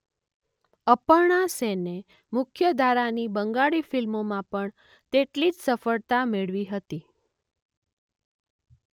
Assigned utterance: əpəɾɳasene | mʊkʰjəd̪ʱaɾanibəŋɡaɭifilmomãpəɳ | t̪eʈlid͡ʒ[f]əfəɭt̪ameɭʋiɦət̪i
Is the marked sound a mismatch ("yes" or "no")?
yes